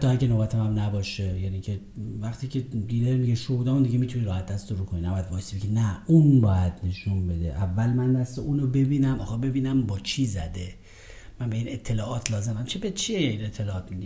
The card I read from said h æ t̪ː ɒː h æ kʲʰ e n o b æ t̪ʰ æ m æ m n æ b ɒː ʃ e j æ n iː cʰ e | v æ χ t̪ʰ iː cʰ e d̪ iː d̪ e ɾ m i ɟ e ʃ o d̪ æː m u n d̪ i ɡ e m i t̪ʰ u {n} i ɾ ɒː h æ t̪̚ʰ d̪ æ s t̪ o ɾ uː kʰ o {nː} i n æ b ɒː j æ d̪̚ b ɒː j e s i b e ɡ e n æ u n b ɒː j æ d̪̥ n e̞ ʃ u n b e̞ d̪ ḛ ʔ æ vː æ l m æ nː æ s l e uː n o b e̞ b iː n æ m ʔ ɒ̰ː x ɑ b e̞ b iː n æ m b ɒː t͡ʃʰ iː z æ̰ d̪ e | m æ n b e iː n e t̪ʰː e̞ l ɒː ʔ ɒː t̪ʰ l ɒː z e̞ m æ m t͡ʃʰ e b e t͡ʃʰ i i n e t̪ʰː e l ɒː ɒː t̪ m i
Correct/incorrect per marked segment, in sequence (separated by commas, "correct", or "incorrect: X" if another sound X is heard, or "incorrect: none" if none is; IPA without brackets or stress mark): correct, incorrect: n